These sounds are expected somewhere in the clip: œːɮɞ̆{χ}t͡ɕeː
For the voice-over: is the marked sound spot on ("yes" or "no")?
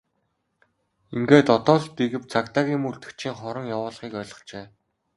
yes